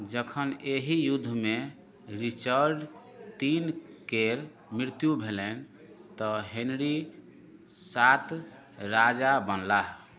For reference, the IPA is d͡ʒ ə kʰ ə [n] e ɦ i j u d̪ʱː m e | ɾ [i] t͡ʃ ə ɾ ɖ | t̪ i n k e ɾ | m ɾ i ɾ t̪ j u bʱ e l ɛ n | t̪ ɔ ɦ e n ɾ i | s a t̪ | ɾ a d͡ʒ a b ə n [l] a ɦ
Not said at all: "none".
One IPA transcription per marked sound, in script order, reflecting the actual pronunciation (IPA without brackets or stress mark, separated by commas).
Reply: n, i, l